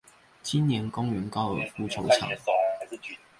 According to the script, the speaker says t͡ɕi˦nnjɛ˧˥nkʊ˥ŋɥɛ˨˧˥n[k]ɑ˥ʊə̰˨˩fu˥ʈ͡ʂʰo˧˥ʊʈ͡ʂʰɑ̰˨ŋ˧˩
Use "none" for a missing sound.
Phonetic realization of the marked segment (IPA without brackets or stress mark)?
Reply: k